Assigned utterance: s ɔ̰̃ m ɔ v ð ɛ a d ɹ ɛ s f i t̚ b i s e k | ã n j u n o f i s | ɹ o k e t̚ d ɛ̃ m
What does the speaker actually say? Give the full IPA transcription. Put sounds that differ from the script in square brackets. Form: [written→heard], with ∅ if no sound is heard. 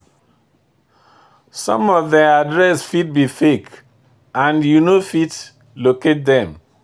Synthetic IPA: s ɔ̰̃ m ɔ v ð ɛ a d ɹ ɛ s f i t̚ b i [s→f] e k | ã n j u n o f i [s→t] | [ɹ→l] o k e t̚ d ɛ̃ m

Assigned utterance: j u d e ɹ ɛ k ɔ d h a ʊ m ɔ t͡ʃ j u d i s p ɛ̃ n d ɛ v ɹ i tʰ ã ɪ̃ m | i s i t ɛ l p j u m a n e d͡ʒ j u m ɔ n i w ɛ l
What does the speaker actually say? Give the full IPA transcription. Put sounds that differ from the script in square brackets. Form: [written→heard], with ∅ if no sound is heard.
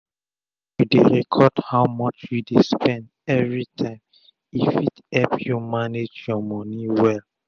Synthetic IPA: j u d e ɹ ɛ [k→kʰ] ɔ d h a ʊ m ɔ t͡ʃ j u d [i→e] s p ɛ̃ n d ɛ v ɹ i tʰ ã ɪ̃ m | i [s→f] i t ɛ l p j u m a n e d͡ʒ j [u→ɔ] m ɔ n i w ɛ l

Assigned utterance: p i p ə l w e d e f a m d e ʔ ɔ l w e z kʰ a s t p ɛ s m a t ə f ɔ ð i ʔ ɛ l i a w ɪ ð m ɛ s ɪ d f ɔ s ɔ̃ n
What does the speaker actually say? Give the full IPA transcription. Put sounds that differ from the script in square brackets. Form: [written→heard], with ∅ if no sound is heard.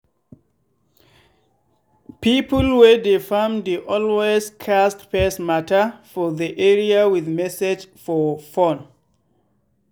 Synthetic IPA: p i p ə l w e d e f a m d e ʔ ɔ l w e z kʰ a s t p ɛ s m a t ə f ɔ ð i ʔ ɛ [l→ɹ] i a w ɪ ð m ɛ s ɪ [d→d͡ʒ] f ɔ [s→f] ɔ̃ n

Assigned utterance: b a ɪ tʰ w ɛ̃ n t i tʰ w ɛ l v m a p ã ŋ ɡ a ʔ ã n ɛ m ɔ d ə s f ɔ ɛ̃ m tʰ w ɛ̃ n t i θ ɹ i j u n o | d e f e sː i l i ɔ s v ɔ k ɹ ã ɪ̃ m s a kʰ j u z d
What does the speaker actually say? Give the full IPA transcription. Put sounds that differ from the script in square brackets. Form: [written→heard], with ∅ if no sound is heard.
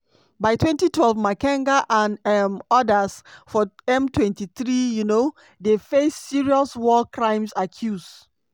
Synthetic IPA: b a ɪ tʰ w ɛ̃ n t i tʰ w ɛ l v m a [p→k] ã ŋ ɡ a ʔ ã n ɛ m ɔ d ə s f ɔ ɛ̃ m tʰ w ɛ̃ n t i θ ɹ i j u n o | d e f e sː i [l→ɹ] i ɔ s [v→w] ɔ k ɹ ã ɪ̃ m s a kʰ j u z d

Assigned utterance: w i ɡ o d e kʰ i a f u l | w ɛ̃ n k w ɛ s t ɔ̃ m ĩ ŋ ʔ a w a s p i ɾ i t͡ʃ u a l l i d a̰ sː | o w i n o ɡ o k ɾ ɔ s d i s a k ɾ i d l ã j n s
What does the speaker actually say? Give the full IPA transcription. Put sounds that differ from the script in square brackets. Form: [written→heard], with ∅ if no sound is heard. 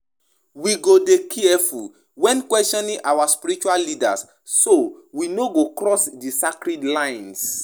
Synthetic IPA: w i ɡ o d e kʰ i [a→ɛ] f u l | w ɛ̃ n k w ɛ s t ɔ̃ [m→n] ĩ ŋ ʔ a w a s p i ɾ i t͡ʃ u a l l i d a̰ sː | o w i n o ɡ o k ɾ ɔ s d i s a k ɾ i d l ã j n s

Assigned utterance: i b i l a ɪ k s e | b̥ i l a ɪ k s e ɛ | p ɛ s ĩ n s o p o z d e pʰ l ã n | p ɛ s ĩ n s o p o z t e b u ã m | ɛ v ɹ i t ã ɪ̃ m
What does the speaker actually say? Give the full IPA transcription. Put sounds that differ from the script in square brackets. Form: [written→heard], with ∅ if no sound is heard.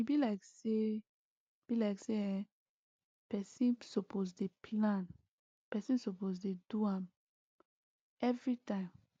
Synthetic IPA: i b i l a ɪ k s e | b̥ i l a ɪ k s e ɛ | p ɛ s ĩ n s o p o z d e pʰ l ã n | p ɛ s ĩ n s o p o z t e [b→d] u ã m | ɛ v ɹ i t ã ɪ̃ m

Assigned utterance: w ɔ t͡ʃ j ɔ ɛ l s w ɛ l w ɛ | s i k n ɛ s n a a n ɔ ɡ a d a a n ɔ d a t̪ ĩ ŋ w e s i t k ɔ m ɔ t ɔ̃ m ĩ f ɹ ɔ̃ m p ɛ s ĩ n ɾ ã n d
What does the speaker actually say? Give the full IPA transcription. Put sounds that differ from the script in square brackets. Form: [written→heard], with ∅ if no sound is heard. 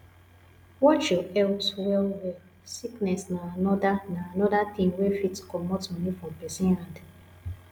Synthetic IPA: w ɔ t͡ʃ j ɔ ɛ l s w ɛ l w ɛ | s i k n ɛ s n a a n ɔ [ɡ→d] a [d→n] a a n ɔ d a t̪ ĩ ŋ w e [s→f] i t k ɔ m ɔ t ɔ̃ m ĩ f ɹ ɔ̃ m p ɛ s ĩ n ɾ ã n d

